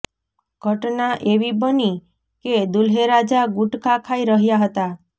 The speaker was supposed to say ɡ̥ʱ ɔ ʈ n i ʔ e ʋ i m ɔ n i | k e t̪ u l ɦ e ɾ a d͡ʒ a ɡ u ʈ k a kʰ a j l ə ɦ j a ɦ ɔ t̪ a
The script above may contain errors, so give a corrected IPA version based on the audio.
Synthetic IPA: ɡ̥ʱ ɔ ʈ n a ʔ e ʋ i b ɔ n i | k e d̪ u l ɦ e ɾ a d͡ʒ a ɡ u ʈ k a kʰ a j ɾ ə ɦ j a ɦ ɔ t̪ a